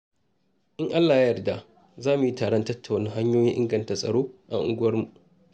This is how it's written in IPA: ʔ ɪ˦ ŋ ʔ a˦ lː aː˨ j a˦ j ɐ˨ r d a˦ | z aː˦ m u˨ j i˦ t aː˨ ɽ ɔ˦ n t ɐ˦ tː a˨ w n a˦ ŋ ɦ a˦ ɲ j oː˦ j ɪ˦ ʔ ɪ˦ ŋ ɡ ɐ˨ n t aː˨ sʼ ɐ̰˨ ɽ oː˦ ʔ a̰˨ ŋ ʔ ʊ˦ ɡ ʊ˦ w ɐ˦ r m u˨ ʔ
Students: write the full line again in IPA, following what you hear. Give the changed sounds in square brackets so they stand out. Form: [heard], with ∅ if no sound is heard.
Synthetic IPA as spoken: ʔ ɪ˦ ŋ ʔ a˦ lː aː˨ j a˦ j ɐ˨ r d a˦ | z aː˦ m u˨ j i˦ t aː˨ ɽ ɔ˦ n t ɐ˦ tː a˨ w n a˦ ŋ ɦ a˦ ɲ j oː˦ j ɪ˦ ʔ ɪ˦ ŋ ɡ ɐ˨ n t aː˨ sʼ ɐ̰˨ ɽ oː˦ ʔ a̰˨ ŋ ʔ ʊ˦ ɡ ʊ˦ w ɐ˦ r m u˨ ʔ